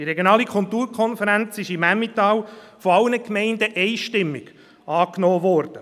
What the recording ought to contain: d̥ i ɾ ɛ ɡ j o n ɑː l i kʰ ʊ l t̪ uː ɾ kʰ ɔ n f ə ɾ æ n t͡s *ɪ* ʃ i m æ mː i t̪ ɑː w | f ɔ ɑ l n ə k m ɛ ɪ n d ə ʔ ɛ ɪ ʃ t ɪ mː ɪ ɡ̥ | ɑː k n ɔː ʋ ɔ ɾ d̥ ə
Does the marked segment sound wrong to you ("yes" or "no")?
no